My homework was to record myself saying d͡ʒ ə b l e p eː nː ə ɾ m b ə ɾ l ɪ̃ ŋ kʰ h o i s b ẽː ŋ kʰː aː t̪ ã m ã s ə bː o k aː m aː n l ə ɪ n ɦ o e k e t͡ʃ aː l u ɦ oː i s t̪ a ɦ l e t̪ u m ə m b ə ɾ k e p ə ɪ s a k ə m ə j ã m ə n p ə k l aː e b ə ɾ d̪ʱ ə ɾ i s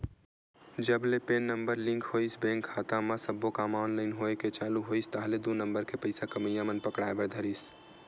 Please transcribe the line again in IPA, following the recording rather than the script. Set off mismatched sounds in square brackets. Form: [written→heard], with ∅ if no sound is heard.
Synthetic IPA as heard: d͡ʒ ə b l e p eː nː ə [ɾ→∅] m b ə ɾ l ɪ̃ ŋ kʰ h o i s b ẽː ŋ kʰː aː t̪ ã m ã s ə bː o k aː m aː n l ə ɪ n ɦ o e k e t͡ʃ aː l u ɦ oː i s t̪ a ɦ l e [t̪→d̪] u [m→n] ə m b ə ɾ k e p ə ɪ s a k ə m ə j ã m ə n p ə k [l→ɽ] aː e b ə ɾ d̪ʱ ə ɾ i s